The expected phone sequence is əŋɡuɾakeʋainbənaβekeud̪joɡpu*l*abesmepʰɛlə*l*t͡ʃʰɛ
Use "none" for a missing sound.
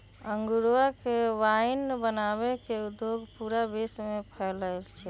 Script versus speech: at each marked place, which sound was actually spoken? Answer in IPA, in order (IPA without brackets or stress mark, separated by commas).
ɾ, l